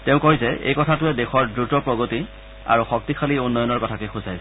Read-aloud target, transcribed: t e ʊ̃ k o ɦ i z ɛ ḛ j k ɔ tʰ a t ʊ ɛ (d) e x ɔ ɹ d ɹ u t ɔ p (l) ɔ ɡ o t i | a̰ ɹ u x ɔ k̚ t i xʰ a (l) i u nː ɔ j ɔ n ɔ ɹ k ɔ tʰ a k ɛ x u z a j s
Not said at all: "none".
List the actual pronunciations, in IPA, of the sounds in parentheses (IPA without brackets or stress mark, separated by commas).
d, ɹ, l